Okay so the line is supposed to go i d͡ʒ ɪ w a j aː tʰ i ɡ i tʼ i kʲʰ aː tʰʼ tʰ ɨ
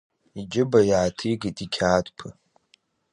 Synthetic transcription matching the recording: i d͡ʒ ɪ b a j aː tʰ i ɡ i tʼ i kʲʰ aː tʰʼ pʰ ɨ